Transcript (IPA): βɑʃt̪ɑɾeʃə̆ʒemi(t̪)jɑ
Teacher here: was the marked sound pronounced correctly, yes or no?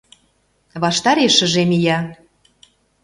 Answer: no